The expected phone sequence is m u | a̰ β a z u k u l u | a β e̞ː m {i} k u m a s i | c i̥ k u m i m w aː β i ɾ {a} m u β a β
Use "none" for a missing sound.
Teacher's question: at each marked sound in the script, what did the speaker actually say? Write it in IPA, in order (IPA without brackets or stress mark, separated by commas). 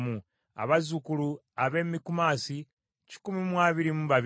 i, i